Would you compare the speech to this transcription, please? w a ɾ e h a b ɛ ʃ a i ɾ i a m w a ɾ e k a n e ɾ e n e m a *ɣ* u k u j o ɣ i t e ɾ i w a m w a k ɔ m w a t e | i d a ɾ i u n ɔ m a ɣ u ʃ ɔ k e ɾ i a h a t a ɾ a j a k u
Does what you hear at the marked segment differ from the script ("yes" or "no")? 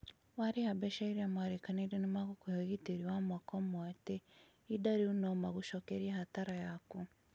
no